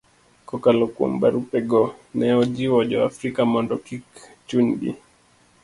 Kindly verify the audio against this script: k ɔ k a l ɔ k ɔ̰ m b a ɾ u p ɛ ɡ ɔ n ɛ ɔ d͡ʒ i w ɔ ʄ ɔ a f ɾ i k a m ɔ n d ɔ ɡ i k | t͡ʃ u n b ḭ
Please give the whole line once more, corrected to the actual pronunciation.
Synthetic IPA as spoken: k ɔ k a l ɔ k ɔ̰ m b a ɾ u p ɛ ɡ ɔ n ɛ ɔ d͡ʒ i w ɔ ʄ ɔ a f ɾ i k a m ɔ n d ɔ k i k | t͡ʃ u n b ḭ